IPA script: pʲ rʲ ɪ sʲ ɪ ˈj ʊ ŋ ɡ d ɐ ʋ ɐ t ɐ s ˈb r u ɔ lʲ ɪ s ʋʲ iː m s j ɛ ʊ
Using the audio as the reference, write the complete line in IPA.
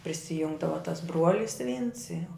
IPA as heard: pʲ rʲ ɪ sʲ ɪ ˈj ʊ ŋ ɡ d ɐ ʋ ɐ t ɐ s ˈb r u ɔ lʲ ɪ s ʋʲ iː n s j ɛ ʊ